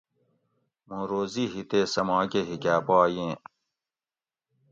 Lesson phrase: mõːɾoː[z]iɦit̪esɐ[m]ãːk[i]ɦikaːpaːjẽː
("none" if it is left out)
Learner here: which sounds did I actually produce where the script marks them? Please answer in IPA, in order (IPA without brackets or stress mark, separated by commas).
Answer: z, m, e